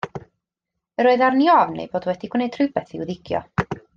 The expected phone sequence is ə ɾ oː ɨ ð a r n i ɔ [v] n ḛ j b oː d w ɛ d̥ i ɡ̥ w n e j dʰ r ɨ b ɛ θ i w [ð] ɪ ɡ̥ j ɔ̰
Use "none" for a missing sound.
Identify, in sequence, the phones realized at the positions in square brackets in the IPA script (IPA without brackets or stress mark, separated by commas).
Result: v, ð